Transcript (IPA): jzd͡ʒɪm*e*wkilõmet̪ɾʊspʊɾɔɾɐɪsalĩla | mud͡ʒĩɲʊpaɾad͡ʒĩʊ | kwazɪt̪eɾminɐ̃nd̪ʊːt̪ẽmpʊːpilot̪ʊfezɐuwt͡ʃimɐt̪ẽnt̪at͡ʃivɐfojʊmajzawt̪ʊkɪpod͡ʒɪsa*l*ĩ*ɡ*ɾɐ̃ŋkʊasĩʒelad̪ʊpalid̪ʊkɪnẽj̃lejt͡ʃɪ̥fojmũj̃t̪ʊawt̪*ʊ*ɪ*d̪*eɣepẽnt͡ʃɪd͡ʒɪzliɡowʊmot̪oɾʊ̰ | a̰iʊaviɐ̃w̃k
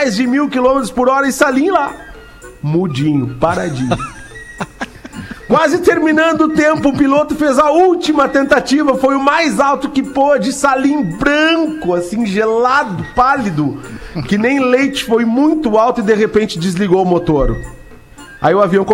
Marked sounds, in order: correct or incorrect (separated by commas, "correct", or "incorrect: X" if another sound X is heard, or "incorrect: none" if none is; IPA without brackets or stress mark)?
incorrect: i, correct, incorrect: b, correct, correct